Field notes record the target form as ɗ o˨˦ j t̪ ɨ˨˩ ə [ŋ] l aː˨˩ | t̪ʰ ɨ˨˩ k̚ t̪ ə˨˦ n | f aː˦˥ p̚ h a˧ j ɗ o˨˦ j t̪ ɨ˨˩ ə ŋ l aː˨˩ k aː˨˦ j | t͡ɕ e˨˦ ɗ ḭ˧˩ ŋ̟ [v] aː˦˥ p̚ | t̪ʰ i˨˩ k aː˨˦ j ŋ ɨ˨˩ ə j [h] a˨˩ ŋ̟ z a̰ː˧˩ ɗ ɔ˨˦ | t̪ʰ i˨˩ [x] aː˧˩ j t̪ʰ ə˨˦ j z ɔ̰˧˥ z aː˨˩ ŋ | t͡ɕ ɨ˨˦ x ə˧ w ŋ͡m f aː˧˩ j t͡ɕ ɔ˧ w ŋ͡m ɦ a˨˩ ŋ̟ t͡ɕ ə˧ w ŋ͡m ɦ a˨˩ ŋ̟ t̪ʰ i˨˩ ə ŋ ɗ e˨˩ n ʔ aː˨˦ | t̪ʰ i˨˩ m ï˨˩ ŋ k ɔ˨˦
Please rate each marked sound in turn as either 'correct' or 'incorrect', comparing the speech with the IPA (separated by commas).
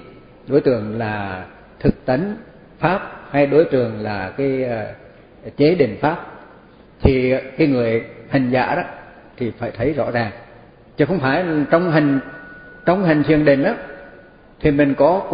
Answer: correct, incorrect, correct, incorrect